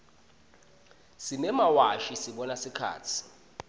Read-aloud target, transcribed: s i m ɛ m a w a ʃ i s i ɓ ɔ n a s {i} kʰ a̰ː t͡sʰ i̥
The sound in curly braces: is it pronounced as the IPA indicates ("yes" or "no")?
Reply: yes